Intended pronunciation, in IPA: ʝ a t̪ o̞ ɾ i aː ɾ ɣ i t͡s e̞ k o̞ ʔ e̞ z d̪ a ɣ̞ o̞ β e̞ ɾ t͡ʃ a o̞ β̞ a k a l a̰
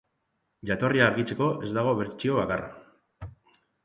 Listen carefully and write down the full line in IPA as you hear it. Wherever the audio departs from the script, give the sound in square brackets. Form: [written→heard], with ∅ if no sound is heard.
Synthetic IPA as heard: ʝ a t̪ o̞ [ɾ→r] i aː ɾ ɣ i t͡s e̞ k o̞ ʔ e̞ z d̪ a ɣ̞ o̞ β e̞ ɾ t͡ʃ [a→i] o̞ β̞ a k a [l→r] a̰